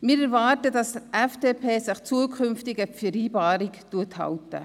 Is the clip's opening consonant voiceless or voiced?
voiced